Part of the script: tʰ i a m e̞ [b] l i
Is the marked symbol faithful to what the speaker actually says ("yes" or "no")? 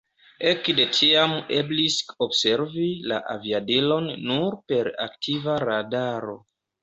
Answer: yes